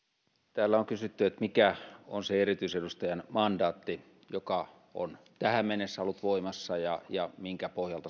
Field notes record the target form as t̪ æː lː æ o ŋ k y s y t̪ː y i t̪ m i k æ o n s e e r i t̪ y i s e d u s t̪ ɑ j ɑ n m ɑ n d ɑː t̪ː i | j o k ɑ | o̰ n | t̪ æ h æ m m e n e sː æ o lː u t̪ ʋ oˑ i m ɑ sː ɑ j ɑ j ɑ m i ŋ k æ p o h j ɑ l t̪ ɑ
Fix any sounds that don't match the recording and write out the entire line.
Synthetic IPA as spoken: t̪ æː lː æ o ŋ k y s y t̪ː y e t̪ m i k æ o n s e e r i t̪ y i s e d u s t̪ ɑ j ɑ n m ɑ n d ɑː t̪ː i | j o k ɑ | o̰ n | t̪ æ h æ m m e n e sː æ o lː u t̪ ʋ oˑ i m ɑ sː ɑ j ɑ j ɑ m i ŋ k æ p o h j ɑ l t̪ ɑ

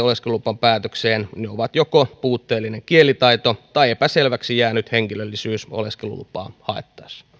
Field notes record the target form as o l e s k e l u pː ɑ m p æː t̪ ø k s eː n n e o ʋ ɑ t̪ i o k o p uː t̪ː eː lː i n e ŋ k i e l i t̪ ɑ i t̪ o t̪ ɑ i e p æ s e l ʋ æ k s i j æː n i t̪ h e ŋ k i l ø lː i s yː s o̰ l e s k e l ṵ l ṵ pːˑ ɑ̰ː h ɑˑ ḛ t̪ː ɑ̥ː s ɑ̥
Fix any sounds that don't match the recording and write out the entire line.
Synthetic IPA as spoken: o l e s k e l u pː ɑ m p æː t̪ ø k s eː n n e o ʋ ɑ t̪ j o k o p uː t̪ː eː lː i n e ŋ k i e l i t̪ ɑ i t̪ o t̪ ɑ i e p æ s e l ʋ æ k s i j æː n y t̪ h e ŋ k i l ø lː i s yː s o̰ l e s k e l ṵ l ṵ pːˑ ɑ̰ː h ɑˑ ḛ t̪ː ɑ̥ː s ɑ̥

